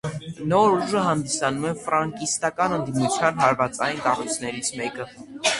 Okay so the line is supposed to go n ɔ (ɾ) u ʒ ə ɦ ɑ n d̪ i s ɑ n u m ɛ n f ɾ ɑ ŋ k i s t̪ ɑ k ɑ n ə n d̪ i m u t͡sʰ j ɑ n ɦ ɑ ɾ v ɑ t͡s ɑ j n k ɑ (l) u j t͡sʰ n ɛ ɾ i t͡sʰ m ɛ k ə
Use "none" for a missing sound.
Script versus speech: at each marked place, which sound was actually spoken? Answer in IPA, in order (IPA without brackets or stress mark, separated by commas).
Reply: ɾ, r